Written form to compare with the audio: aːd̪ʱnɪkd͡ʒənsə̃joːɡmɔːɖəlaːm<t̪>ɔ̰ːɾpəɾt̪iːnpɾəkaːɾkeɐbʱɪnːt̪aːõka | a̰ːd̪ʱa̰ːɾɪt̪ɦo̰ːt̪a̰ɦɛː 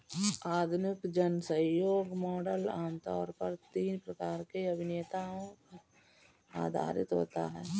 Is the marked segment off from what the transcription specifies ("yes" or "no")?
no